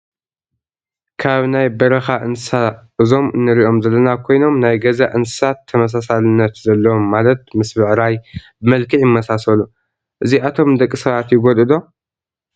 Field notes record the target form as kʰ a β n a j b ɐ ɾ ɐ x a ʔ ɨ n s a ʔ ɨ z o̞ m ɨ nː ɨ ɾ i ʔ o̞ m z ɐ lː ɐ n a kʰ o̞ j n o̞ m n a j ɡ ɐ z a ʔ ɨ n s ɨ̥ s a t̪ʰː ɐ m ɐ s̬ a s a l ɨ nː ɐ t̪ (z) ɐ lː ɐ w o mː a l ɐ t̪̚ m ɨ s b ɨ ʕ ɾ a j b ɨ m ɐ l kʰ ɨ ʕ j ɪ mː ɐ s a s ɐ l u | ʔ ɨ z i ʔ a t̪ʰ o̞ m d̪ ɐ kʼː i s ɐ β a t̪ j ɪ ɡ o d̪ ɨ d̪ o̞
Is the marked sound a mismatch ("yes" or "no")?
no